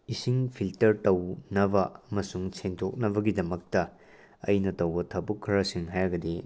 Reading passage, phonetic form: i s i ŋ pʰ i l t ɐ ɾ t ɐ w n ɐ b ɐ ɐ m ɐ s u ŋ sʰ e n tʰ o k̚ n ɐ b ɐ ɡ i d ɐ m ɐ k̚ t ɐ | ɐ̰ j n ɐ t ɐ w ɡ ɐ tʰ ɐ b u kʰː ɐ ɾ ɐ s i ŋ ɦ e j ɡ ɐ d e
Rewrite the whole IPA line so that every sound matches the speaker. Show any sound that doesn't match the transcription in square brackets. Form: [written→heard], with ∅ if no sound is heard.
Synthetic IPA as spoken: i s i ŋ pʰ i l t ɐ ɾ t ɐ w n ɐ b ɐ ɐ m ɐ s u ŋ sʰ e n tʰ o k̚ n ɐ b ɐ ɡ i d ɐ m ɐ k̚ t ɐ | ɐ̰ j n ɐ t ɐ w [ɡ→b] ɐ tʰ ɐ b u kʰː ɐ ɾ ɐ s i ŋ ɦ [e→a] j ɡ ɐ d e